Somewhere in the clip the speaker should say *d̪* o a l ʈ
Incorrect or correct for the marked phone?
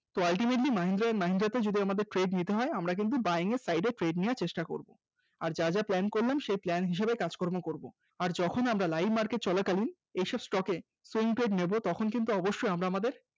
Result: incorrect: t̪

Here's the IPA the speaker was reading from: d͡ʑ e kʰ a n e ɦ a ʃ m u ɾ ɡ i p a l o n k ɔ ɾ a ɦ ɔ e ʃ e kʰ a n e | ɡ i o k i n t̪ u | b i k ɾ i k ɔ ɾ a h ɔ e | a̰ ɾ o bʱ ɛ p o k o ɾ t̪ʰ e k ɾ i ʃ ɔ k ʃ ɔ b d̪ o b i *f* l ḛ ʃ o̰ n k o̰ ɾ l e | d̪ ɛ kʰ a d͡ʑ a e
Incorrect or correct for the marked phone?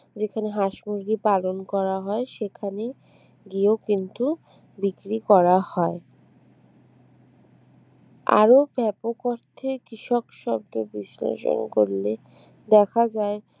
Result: incorrect: s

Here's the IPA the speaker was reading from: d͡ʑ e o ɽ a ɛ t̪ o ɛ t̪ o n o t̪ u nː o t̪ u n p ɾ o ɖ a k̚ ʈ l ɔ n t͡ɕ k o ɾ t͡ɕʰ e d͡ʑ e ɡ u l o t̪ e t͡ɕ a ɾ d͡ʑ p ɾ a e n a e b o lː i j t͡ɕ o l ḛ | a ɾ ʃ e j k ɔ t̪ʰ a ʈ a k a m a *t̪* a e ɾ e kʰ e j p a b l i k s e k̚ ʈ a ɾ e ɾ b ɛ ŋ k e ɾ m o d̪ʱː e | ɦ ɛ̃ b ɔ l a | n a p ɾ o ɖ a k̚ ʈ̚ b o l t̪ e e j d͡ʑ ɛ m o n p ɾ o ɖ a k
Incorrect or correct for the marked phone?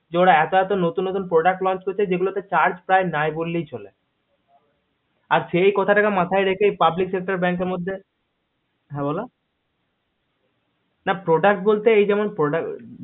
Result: incorrect: t̪ʰ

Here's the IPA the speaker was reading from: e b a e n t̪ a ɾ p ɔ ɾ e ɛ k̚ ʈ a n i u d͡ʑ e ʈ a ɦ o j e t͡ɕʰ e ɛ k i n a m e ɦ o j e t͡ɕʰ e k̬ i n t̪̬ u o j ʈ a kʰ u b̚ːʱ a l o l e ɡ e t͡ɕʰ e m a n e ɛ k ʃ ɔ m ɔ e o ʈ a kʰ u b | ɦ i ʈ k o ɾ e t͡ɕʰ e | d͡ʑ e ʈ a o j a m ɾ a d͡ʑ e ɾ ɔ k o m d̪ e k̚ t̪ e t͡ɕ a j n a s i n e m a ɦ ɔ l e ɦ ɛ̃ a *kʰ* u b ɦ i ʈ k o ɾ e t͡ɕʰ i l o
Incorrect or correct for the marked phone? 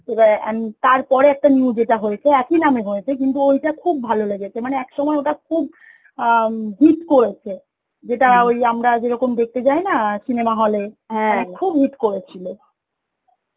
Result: correct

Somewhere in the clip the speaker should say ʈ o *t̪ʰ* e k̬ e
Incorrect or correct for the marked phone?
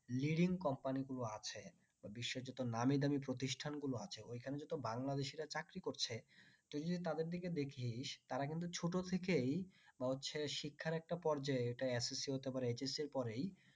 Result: correct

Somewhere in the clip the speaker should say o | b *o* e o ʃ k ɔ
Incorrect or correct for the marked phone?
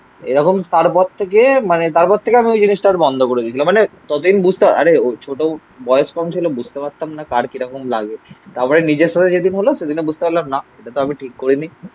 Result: incorrect: ɔ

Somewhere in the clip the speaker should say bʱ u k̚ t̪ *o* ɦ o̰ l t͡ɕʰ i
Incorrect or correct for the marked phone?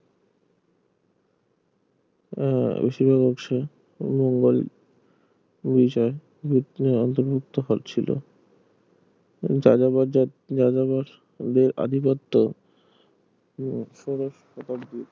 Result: correct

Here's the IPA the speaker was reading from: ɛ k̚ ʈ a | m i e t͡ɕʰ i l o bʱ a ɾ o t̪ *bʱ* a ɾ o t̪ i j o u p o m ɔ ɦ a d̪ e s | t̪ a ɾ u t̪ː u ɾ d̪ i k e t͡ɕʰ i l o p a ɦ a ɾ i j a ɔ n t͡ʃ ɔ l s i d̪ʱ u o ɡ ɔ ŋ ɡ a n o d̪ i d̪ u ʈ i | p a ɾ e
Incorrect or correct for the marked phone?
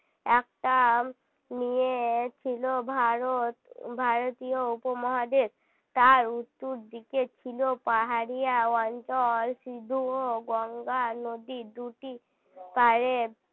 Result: correct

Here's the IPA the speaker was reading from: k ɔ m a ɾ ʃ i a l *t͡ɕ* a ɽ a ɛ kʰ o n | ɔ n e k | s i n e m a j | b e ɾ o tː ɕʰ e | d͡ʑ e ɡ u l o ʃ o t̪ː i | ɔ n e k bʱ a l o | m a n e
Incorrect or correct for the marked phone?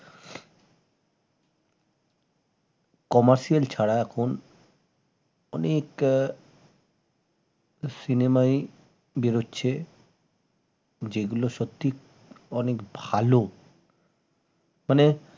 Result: incorrect: t͡ɕʰ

